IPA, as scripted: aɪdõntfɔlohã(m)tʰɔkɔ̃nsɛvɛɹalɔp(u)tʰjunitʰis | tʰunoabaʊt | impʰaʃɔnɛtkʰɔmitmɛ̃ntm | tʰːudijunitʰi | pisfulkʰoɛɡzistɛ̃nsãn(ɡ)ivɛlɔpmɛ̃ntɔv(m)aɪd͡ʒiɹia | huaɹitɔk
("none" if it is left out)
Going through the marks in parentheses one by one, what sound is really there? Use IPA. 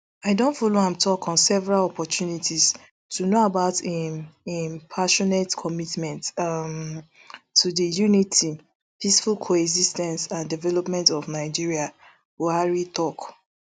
m, ɔ, d, n

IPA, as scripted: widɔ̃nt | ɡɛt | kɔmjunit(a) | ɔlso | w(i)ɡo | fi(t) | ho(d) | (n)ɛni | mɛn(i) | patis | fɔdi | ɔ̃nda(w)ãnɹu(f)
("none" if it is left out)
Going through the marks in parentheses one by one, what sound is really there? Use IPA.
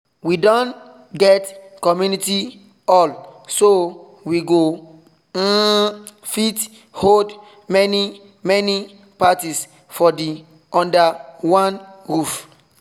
i, i, t, d, m, i, w, f

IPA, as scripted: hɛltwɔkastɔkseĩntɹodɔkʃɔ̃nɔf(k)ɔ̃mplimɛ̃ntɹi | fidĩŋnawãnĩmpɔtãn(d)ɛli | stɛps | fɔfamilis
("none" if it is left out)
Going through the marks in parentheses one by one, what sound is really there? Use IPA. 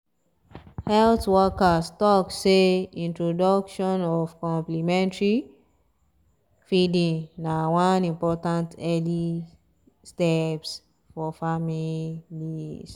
k, t

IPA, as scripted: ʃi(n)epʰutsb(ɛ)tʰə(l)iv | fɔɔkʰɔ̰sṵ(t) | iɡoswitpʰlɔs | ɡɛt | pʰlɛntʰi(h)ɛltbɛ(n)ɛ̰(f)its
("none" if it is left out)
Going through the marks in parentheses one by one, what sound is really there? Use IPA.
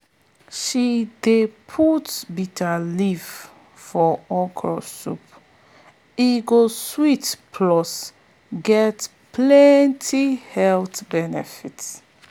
d, i, l, p, h, n, f

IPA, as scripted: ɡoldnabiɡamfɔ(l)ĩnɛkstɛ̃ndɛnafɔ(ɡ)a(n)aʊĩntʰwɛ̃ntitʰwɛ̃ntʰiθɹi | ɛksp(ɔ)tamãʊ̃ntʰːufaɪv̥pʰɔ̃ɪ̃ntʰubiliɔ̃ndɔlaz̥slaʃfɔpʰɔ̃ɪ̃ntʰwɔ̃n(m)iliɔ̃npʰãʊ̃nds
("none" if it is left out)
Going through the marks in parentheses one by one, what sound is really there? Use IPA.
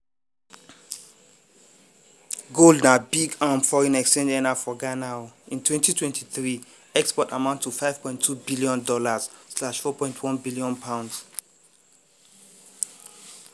ɹ, ɡ, n, ɔ, b

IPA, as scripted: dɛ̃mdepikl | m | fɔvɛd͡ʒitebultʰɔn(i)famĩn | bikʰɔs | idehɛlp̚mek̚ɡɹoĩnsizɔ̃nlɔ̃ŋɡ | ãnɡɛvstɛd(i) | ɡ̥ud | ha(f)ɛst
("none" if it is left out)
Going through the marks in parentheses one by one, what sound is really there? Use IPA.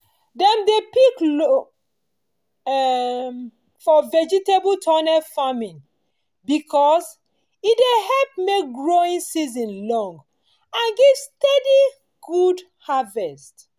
ɛ, i, v

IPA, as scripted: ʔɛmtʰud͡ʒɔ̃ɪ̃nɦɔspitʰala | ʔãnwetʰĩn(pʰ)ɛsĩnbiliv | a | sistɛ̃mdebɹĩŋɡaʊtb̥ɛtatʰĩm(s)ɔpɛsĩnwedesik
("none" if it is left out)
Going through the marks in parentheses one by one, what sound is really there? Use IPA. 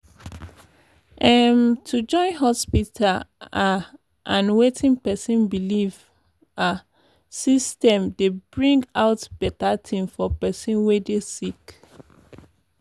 p, f

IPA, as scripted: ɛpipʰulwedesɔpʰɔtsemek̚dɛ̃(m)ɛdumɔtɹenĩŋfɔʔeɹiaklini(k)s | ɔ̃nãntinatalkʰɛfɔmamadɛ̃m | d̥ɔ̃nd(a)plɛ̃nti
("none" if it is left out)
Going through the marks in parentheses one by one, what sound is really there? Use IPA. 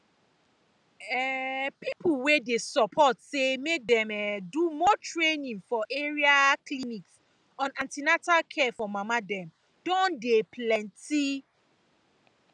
m, k, e

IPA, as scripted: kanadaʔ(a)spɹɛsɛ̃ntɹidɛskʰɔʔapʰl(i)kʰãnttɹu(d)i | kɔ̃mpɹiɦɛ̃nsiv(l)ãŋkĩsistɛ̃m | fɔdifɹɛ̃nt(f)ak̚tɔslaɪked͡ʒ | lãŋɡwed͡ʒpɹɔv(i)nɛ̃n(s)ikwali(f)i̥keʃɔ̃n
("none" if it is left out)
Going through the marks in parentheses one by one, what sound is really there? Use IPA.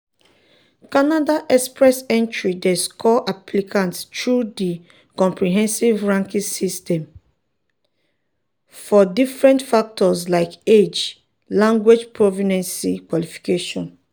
ɛ, i, d, ɹ, f, i, s, f

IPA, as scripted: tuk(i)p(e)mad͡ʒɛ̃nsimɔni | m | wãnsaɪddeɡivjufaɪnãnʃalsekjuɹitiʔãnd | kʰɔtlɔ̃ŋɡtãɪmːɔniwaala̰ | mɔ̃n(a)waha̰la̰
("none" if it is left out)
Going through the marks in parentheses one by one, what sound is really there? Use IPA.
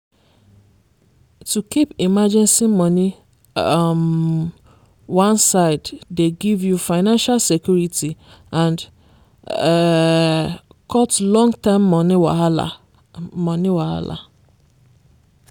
i, i, i

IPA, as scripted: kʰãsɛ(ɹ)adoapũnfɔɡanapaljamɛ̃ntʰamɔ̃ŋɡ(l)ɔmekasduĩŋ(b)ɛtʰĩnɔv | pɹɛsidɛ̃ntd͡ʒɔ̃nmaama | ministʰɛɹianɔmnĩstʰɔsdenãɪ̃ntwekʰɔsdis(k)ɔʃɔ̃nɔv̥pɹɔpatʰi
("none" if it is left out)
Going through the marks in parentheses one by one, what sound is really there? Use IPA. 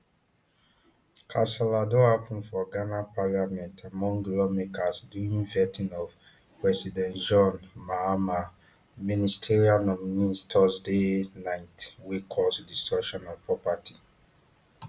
l, l, v, t

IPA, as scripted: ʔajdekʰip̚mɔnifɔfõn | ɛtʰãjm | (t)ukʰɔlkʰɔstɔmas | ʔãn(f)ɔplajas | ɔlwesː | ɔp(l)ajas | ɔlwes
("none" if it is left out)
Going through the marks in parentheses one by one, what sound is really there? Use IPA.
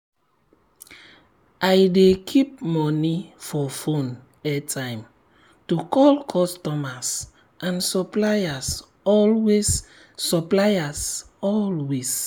t, s, l

